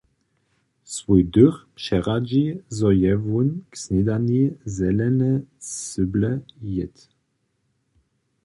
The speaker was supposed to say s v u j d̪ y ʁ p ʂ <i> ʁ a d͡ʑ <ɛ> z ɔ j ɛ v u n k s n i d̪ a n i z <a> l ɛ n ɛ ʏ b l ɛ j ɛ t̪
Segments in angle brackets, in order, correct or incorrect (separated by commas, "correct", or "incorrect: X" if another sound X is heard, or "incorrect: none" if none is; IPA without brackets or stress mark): incorrect: ɛ, incorrect: i, incorrect: ɛ